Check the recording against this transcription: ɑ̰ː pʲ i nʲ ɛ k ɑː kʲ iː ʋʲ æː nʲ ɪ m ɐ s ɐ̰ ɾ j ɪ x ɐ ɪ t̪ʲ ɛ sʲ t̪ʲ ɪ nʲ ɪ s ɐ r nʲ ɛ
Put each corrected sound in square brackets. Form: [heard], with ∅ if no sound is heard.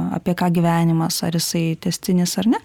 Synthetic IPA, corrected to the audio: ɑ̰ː pʲ i [∅] ɛ k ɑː [ɡʲ] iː ʋʲ æː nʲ ɪ m ɐ s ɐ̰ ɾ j ɪ [s] ɐ ɪ t̪ʲ ɛ sʲ t̪ʲ ɪ nʲ ɪ s ɐ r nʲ ɛ